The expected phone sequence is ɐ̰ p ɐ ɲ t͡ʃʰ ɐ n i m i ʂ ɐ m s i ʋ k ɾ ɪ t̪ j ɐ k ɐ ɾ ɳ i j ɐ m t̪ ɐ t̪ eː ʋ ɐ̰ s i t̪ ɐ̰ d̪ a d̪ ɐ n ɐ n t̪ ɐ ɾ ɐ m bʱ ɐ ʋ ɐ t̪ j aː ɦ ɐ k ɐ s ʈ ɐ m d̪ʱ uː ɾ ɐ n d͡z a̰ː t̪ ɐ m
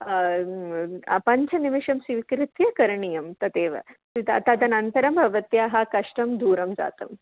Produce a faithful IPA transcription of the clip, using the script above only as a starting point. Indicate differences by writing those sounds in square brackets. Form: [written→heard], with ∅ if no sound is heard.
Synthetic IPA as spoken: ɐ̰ p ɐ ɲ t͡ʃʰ ɐ n i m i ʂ ɐ m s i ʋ k ɾ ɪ t̪ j ɐ k ɐ ɾ ɳ i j ɐ m t̪ ɐ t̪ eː ʋ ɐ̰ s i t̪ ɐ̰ [d̪→t̪] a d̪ ɐ n ɐ n t̪ ɐ ɾ ɐ m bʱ ɐ ʋ ɐ t̪ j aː ɦ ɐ k ɐ [s→ʂ] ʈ ɐ m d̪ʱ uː ɾ ɐ [n→m] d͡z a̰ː t̪ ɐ m